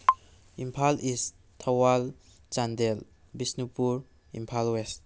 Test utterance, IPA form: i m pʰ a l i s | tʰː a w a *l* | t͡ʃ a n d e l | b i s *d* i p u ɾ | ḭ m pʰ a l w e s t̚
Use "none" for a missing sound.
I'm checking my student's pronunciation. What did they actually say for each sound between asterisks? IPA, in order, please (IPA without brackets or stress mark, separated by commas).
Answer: l, n